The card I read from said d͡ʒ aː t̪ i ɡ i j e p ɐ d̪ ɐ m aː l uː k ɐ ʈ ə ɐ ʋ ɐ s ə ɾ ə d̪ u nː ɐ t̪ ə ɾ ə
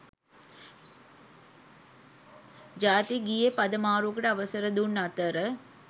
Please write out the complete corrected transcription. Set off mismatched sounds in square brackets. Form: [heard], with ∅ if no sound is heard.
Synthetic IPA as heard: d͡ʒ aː t̪ i ɡ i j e p ɐ d̪ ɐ m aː [ɾ] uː k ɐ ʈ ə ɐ ʋ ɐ s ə ɾ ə d̪ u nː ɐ t̪ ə ɾ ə

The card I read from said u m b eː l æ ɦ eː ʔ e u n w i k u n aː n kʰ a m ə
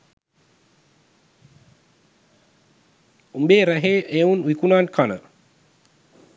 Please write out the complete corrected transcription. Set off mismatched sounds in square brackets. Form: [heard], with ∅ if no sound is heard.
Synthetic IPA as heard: u m b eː [ɾ] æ ɦ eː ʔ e u n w i k u n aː n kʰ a [n] ə

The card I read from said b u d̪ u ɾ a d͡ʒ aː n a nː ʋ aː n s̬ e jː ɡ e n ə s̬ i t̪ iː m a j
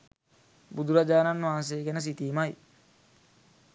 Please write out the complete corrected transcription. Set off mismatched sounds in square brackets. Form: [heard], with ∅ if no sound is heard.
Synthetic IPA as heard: b u d̪ u ɾ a d͡ʒ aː n a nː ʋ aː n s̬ e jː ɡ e n ə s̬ i t̪ iː m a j

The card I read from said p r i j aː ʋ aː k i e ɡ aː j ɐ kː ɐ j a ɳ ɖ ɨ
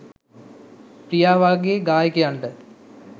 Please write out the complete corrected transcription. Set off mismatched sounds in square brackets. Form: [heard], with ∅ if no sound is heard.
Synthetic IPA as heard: p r i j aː ʋ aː [ɡ] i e ɡ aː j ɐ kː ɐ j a ɳ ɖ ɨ

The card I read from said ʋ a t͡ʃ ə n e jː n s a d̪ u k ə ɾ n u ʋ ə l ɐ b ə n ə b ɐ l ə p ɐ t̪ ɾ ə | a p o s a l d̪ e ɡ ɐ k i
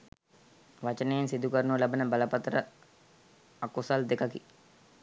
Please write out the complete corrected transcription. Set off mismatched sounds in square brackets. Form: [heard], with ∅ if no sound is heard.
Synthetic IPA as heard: ʋ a t͡ʃ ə n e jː n s [i] d̪ u k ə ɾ n u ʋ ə l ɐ b ə n ə b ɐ l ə p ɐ t̪ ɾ ə | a [k] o s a l d̪ e [k] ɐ k i

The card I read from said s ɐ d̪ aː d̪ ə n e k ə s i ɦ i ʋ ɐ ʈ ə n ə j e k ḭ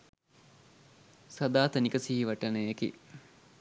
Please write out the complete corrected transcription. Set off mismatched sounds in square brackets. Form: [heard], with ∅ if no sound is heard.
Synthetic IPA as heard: s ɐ d̪ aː [t̪] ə n [i] k ə s i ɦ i ʋ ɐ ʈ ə n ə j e k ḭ

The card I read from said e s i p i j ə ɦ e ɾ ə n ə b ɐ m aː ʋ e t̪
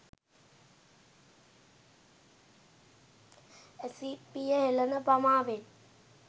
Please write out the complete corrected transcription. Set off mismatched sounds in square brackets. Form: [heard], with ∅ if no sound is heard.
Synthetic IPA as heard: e s i p i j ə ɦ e [l] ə n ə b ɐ m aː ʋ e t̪

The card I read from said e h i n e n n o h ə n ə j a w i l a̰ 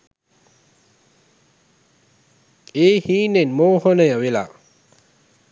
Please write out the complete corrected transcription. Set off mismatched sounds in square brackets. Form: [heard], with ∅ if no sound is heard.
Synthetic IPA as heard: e h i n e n [m] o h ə n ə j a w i l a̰

